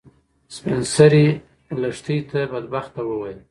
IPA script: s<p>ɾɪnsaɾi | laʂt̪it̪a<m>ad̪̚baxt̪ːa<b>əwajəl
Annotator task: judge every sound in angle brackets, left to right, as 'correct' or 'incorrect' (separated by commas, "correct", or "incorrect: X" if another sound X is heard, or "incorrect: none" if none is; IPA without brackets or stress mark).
correct, incorrect: b, incorrect: w